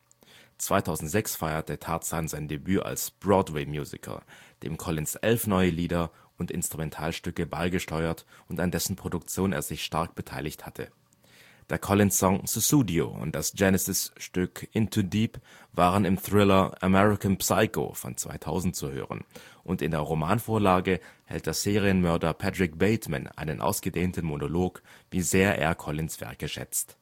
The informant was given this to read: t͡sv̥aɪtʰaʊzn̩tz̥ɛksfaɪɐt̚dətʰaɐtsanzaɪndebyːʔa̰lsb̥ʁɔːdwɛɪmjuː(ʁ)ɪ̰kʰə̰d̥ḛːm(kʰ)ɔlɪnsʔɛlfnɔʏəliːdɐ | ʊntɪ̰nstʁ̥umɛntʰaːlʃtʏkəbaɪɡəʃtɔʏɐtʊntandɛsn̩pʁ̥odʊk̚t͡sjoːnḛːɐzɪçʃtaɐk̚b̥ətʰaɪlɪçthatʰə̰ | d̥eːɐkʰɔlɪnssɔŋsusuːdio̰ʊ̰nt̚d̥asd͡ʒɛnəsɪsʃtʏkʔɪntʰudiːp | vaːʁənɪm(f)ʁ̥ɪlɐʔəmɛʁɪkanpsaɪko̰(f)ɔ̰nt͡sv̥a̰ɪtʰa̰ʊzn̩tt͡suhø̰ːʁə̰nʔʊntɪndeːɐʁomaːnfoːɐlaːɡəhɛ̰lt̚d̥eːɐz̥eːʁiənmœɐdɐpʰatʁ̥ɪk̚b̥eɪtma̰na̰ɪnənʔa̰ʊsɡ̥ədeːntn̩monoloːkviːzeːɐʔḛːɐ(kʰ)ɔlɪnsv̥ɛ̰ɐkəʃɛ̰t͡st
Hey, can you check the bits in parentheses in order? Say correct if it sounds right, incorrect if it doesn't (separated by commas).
incorrect, correct, incorrect, correct, correct